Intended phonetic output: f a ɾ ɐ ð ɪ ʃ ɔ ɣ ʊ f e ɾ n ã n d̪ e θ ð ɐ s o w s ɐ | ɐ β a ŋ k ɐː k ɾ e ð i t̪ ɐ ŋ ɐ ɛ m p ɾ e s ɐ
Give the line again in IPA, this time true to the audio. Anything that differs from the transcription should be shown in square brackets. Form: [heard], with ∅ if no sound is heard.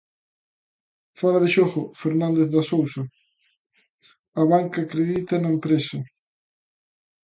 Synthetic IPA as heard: f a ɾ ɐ ð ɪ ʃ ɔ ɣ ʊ f e ɾ n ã n d̪ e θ ð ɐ s o w s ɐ | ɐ β a ŋ k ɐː k ɾ e ð i t̪ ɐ [n] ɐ [e] m p ɾ e s ɐ